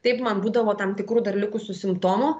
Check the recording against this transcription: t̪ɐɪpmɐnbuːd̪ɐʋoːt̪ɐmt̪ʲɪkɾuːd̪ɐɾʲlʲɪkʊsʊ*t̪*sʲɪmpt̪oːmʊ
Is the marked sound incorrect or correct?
incorrect